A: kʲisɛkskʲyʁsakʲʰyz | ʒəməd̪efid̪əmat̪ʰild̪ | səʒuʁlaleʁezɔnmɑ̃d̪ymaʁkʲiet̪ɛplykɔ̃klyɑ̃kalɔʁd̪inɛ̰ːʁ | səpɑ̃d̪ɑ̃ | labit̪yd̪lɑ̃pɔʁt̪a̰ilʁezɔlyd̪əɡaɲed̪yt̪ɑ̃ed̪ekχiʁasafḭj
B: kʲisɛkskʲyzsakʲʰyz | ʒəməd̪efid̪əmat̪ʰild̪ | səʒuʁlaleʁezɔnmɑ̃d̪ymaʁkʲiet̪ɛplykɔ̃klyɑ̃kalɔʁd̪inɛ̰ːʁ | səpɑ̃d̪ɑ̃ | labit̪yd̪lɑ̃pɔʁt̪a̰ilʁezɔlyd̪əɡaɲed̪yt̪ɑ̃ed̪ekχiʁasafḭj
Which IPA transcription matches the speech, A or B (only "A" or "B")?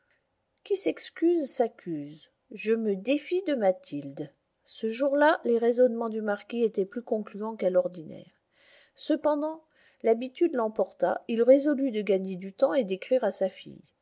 B